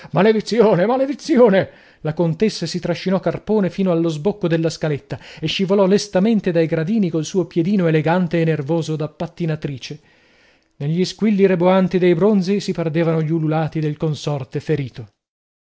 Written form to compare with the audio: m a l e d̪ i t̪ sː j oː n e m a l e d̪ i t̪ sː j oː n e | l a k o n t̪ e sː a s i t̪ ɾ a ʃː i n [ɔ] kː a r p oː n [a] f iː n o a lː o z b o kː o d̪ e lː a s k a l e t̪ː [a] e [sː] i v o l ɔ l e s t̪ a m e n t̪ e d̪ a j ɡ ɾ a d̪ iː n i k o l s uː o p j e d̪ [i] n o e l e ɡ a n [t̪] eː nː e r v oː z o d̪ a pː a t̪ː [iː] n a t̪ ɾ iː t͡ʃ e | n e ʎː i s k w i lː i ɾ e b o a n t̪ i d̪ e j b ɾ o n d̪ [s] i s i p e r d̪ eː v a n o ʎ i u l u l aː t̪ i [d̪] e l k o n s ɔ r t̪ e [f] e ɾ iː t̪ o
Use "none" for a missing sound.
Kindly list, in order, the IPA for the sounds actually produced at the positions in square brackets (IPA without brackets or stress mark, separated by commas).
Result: ɔ, e, a, ʃː, iː, t̪, i, z, d̪, f